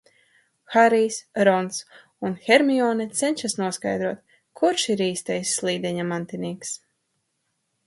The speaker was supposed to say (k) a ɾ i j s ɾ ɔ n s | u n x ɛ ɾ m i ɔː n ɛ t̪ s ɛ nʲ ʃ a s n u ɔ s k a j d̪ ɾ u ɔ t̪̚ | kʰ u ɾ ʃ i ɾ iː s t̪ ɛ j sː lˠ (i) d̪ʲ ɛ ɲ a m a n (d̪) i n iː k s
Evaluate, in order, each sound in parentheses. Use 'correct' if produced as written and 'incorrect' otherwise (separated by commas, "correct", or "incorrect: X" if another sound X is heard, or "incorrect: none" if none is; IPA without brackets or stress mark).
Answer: incorrect: x, incorrect: iː, incorrect: t̪